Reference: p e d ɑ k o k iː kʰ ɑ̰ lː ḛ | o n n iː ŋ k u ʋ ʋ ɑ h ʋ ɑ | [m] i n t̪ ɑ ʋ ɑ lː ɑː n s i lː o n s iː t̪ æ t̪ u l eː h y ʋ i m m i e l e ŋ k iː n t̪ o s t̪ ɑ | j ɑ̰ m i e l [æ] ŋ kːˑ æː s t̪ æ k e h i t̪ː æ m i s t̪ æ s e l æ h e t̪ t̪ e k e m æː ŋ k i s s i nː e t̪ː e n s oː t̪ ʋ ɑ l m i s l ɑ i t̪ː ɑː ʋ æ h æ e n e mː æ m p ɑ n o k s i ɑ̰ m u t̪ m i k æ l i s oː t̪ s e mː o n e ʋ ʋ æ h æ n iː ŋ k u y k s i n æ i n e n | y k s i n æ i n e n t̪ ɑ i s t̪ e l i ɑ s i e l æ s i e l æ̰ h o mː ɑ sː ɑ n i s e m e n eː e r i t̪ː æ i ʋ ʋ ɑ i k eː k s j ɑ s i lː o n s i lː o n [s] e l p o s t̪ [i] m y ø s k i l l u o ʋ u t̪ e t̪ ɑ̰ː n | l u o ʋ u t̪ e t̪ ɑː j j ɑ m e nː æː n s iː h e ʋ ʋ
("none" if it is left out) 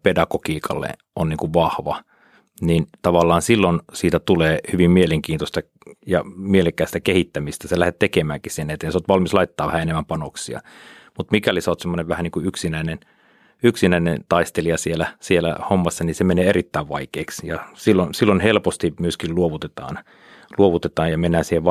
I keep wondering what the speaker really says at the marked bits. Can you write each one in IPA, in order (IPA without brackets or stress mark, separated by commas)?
n, e, h, i